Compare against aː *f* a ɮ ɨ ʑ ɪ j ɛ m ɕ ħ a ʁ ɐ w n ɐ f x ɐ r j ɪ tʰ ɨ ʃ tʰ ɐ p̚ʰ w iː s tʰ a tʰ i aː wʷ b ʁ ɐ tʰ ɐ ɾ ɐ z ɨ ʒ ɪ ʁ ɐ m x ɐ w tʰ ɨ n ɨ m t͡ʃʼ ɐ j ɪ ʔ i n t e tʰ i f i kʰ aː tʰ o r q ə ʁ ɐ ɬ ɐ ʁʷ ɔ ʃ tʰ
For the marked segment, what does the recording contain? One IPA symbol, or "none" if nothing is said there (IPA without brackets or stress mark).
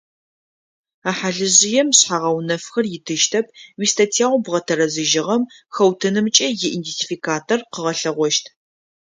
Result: ħ